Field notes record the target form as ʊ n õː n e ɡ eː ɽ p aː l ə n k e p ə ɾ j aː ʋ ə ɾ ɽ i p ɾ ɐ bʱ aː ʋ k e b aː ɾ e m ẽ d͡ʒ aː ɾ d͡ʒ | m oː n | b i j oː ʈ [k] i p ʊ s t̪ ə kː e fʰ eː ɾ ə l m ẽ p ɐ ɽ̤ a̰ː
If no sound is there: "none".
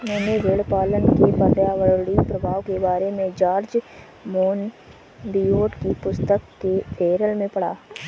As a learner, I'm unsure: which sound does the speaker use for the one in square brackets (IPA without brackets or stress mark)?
k